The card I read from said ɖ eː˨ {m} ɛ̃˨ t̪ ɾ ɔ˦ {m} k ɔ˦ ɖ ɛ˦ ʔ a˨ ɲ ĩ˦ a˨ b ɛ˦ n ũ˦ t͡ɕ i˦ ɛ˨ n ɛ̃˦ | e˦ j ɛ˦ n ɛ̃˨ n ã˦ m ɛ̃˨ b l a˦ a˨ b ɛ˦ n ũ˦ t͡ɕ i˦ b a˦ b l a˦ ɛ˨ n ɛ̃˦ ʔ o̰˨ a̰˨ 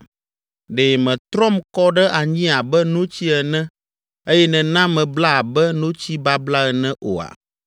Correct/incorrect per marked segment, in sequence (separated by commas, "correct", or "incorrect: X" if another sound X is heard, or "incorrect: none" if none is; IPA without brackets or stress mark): correct, correct